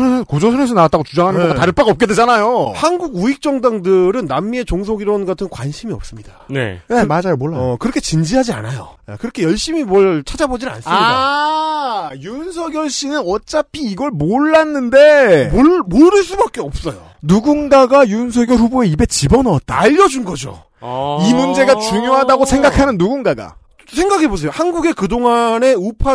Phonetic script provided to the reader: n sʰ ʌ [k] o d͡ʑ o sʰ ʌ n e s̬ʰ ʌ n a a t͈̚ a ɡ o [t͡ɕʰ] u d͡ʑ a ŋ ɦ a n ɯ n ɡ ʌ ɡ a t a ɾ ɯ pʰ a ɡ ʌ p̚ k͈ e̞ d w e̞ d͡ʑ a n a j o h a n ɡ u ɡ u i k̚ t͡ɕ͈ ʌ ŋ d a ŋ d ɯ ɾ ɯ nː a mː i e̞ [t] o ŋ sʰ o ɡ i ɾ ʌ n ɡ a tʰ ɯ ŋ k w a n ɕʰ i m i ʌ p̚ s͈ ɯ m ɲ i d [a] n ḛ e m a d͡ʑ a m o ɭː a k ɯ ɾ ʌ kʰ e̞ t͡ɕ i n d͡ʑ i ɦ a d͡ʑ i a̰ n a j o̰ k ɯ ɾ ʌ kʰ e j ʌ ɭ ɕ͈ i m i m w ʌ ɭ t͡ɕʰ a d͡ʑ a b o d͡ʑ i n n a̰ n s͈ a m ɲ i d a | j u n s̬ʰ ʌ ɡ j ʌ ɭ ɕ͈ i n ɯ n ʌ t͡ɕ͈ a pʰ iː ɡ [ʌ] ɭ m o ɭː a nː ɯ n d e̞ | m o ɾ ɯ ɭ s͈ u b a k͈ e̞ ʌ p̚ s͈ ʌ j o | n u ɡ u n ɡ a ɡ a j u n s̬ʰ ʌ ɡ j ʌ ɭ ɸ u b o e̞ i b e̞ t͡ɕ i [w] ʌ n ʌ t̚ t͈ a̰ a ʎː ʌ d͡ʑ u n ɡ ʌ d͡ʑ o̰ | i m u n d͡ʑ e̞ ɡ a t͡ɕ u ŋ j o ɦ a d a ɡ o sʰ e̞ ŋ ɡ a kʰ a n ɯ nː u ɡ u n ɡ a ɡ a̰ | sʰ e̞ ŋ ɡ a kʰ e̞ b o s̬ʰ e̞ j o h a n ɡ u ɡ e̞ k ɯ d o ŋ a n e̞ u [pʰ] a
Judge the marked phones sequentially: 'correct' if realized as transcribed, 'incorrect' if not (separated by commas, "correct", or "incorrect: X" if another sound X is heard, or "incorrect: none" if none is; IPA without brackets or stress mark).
correct, incorrect: t͡ɕ, incorrect: t͡ɕ, correct, correct, incorrect: b, correct